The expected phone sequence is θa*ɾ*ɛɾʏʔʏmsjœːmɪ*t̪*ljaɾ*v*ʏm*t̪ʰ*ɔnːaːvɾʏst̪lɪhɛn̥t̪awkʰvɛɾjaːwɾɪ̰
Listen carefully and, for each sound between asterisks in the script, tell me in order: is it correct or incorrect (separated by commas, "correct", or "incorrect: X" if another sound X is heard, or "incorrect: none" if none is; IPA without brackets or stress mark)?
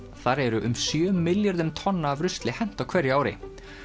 correct, incorrect: none, incorrect: ð, correct